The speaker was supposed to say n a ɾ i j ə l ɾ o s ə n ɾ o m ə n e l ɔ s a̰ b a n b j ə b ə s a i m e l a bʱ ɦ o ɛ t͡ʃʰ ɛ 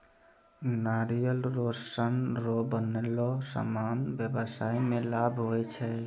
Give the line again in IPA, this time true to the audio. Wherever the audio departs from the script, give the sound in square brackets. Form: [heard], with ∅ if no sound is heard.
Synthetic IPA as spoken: n a ɾ i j ə l ɾ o s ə n ɾ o [b] ə n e l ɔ s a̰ [m] a n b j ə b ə s a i m e l a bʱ ɦ o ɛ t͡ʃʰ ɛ